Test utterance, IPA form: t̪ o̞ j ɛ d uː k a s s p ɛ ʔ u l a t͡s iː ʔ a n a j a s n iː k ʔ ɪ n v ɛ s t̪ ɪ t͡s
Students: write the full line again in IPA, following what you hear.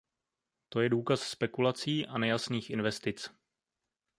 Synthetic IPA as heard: t̪ o̞ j ɛ d uː k a s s p ɛ k u l a t͡s iː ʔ a n ɛ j a s n iː x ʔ ɪ n v ɛ s t̪ ɪ t͡s